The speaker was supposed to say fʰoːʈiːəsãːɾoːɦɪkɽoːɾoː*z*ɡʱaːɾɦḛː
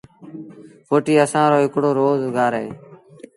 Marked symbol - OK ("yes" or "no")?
yes